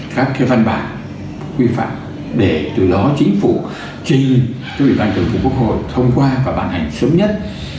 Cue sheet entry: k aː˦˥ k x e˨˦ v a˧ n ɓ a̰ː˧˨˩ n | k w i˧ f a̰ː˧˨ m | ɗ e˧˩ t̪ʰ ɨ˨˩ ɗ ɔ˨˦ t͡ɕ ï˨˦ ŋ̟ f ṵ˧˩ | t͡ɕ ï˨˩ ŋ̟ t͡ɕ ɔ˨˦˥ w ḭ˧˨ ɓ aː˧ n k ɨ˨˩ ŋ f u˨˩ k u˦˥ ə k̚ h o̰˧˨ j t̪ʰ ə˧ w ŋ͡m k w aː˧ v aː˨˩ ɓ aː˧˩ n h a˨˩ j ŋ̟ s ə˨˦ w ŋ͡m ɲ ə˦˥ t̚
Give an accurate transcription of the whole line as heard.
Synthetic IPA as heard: k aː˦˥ k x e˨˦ v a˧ n ɓ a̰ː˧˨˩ n | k w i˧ f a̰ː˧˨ m | ɗ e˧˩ t̪ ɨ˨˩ ɗ ɔ˨˦ t͡ɕ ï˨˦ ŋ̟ f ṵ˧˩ | t͡ɕ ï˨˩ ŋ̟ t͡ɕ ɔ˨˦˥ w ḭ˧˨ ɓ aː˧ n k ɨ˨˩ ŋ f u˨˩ k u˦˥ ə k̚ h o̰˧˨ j t̪ʰ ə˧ w ŋ͡m k w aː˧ v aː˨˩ ɓ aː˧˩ n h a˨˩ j ŋ̟ s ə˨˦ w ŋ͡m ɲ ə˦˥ t̚